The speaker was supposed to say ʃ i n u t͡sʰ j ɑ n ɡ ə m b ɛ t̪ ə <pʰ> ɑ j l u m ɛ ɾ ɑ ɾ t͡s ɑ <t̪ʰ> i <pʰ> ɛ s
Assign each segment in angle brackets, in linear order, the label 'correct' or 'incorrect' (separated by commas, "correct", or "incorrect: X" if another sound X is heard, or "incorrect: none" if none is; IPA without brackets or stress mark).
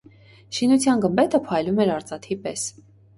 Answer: correct, correct, incorrect: p